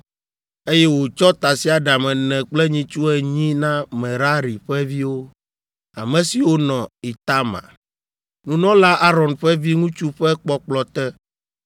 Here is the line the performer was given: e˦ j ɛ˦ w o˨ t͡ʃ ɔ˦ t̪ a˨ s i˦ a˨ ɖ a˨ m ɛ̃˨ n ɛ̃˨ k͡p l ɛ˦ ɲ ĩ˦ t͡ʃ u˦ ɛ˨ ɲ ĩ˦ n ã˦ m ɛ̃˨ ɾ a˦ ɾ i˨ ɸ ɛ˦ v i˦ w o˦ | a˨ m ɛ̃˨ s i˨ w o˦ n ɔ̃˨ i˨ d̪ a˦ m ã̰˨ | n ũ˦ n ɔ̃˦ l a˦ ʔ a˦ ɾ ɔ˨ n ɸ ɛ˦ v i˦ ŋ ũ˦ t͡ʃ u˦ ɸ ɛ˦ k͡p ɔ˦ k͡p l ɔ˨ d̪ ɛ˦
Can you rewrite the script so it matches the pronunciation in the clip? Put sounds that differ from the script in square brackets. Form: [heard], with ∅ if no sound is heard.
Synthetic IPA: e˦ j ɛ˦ w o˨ t͡ʃ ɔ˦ t̪ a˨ s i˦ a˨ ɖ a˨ m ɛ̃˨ n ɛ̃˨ k͡p l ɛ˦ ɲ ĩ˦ t͡ʃ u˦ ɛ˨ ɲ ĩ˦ n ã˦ m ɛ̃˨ ɾ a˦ ɾ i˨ ɸ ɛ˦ v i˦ w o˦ | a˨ m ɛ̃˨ s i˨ w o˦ n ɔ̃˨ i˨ [t̪] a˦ m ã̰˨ | n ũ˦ n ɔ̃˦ l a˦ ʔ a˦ ɾ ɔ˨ n ɸ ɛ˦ v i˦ ŋ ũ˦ t͡ʃ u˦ ɸ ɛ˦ k͡p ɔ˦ k͡p l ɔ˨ [t̪] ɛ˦